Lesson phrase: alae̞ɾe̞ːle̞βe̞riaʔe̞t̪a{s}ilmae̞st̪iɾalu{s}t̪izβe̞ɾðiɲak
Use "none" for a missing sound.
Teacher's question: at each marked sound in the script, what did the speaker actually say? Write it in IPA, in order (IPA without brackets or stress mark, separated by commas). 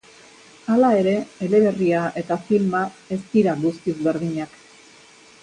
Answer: f, s